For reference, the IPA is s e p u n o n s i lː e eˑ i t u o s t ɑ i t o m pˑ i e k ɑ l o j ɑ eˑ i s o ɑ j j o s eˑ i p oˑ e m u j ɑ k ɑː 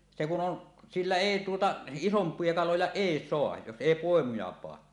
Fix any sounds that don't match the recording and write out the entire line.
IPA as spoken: s e k u n o n s i lː æ eˑ i t u o t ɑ i s o m pˑ i e k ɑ l o j ɑ eˑ i s o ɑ j j o s eˑ i p oˑ e m u j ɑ p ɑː